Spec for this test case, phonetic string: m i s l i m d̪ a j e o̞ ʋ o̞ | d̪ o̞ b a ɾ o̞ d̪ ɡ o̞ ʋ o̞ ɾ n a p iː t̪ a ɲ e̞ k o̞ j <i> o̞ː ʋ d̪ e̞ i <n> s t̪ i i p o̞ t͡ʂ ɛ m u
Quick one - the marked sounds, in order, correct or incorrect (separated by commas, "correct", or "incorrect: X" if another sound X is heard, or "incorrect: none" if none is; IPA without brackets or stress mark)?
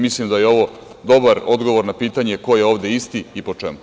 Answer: incorrect: e, incorrect: none